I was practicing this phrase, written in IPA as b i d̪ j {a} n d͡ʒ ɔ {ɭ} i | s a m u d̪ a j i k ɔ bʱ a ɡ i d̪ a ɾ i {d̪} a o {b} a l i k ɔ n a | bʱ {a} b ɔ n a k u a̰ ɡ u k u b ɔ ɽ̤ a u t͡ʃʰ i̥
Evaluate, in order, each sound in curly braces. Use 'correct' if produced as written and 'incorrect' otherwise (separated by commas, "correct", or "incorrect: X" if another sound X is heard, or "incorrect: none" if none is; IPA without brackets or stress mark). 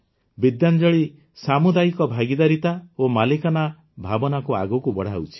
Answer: correct, correct, incorrect: t̪, incorrect: m, correct